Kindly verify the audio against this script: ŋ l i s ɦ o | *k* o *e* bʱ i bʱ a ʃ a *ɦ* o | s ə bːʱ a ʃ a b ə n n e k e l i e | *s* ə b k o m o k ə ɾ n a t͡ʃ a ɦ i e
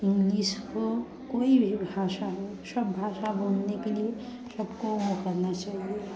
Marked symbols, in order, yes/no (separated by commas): yes, no, yes, yes